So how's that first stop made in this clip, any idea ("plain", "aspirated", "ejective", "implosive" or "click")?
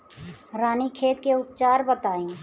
aspirated